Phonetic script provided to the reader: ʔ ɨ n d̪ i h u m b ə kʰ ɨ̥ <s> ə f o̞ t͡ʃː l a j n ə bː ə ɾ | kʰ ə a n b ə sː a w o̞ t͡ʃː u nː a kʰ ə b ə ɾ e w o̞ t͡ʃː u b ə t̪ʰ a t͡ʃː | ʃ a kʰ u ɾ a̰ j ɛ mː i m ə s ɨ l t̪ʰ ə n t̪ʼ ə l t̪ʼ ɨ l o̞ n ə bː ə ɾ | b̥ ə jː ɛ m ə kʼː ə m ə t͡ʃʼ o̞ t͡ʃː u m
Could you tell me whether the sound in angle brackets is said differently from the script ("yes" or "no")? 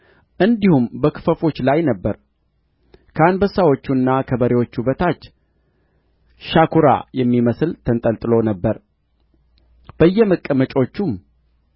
yes